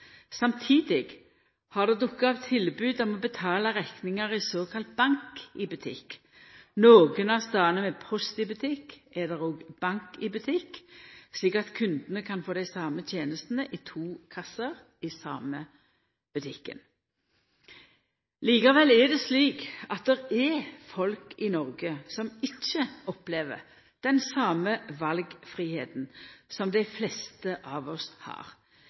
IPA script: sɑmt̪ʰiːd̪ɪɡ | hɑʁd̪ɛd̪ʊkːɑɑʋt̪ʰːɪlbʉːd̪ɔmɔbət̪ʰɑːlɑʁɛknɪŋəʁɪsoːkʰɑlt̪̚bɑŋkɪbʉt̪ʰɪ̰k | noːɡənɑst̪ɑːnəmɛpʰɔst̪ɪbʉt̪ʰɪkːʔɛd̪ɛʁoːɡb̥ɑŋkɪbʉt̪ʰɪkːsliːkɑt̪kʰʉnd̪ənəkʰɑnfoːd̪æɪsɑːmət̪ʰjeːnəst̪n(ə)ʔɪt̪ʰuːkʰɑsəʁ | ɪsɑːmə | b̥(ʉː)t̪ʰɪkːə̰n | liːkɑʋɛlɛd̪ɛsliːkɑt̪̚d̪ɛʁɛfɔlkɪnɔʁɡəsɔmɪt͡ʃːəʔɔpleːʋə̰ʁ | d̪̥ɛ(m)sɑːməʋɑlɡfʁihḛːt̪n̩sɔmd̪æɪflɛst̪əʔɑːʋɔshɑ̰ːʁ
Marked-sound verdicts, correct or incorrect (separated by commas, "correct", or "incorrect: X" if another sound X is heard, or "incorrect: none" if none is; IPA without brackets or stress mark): correct, incorrect: ʉ, incorrect: n